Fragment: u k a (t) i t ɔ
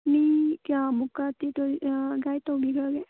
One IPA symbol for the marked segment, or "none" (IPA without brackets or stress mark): t